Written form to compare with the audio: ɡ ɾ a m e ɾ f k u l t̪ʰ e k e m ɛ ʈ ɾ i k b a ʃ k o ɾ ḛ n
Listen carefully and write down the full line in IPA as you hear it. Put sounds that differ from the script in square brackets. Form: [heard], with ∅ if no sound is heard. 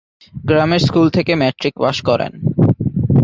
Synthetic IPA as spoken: ɡ ɾ a m e ɾ [s] k u l t̪ʰ e k e m ɛ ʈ ɾ i k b a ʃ k [ɔ] ɾ ḛ n